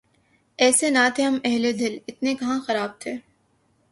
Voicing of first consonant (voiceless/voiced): voiceless